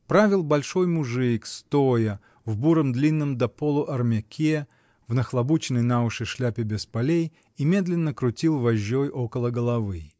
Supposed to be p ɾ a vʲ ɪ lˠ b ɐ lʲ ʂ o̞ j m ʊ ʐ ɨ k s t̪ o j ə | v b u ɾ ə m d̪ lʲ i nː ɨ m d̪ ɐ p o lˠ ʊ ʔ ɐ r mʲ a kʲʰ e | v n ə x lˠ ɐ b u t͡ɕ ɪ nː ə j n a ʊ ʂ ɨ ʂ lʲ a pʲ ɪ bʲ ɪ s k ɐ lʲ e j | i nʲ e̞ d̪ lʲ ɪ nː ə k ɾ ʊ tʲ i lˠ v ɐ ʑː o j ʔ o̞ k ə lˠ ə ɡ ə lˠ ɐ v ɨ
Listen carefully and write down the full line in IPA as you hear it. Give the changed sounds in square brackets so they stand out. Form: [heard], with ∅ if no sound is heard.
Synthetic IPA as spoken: p ɾ a vʲ ɪ lˠ b ɐ lʲ ʂ o̞ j m ʊ ʐ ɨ k s t̪ o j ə | v b u ɾ ə m d̪ lʲ i nː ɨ m d̪ ɐ p o lˠ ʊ ʔ ɐ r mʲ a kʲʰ e | v n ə x lˠ ɐ b u t͡ɕ ɪ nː ə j n a ʊ ʂ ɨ ʂ lʲ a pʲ ɪ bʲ ɪ s [p] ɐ lʲ e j | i [mʲ] e̞ d̪ lʲ ɪ nː ə k ɾ ʊ tʲ i lˠ v ɐ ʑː o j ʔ o̞ k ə lˠ ə ɡ ə lˠ ɐ v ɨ